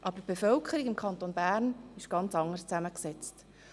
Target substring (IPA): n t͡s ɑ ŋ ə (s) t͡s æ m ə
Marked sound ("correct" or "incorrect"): correct